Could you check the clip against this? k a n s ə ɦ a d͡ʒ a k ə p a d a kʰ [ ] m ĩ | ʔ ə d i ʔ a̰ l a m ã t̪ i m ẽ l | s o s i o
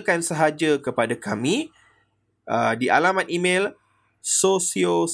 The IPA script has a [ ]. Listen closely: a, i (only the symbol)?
a